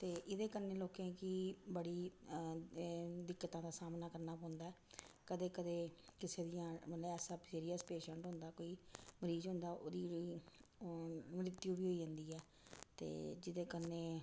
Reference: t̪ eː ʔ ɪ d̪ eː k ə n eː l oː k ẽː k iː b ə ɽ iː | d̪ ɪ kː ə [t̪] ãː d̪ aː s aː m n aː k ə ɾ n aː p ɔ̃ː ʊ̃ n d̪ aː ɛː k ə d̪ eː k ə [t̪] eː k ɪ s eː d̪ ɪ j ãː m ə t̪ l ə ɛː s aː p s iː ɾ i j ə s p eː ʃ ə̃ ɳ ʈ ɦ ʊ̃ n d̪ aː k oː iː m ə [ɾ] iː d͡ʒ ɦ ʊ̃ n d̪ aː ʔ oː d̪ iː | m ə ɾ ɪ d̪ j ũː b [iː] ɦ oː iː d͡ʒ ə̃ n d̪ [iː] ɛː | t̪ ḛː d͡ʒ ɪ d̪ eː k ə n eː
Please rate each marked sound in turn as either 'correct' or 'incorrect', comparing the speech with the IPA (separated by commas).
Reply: correct, incorrect, correct, correct, correct